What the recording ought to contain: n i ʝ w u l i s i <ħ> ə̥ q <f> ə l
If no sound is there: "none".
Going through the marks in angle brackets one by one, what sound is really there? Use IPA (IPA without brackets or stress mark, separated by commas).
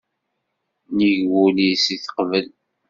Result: θ, v